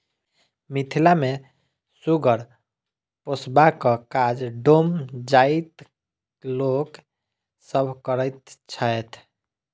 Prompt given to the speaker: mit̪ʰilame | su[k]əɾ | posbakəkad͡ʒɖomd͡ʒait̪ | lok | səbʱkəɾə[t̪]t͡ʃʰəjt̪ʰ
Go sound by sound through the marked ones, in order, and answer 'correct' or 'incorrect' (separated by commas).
incorrect, correct